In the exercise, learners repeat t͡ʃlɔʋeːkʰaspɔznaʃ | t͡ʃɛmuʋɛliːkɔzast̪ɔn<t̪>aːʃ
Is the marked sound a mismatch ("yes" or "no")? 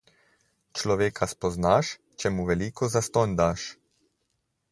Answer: yes